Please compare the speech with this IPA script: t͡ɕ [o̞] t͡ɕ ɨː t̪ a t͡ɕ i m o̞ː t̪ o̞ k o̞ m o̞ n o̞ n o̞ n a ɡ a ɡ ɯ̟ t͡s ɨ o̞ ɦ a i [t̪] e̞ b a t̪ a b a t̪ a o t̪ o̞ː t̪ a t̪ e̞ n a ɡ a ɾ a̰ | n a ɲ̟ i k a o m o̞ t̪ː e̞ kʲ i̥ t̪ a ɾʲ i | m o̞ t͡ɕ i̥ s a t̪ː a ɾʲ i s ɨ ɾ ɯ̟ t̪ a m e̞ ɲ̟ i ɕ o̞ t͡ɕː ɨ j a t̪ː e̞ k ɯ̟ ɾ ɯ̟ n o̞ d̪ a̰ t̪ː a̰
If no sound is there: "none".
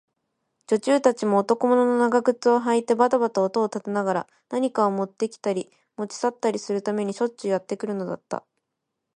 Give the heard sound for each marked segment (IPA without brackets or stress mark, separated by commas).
o̞, t̪